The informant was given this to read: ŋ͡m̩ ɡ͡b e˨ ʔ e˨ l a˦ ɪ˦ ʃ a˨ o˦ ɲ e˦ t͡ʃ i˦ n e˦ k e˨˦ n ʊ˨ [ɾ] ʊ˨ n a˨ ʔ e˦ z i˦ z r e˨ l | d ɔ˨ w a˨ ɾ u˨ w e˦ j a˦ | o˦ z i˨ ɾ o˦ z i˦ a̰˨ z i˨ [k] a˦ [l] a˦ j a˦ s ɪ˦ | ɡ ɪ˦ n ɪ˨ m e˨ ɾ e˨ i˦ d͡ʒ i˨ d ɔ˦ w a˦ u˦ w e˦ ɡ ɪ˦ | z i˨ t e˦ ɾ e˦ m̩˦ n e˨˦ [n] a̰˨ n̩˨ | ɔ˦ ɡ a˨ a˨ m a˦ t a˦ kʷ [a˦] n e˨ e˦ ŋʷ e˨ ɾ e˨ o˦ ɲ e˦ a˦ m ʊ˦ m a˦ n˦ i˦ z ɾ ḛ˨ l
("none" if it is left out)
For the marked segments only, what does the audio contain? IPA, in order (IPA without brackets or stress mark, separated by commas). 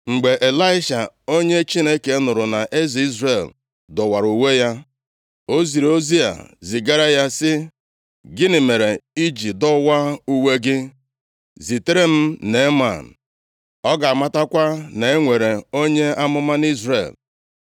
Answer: ɾ, ɡ, ɾ, m, a˦